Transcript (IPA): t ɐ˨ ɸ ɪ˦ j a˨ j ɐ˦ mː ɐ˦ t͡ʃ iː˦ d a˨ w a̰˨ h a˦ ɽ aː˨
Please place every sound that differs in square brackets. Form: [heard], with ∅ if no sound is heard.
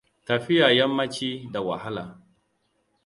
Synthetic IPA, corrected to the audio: t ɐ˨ ɸ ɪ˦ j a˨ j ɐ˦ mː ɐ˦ t͡ʃ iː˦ d a˨ w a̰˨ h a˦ [l] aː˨